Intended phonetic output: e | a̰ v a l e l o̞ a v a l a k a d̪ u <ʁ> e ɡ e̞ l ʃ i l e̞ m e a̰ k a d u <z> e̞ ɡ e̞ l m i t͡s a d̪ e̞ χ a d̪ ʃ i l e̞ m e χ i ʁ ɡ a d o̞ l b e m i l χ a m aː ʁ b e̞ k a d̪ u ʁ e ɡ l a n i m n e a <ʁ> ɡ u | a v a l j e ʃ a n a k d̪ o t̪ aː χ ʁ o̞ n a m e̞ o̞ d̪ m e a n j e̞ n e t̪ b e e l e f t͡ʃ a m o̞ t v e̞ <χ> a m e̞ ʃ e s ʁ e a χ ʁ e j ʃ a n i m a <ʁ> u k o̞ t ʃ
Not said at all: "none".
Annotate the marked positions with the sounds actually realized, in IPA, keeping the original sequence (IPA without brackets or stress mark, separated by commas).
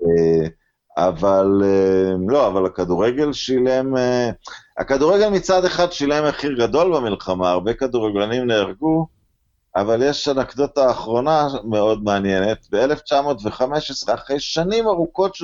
ʁ, ʁ, ʁ, χ, ʁ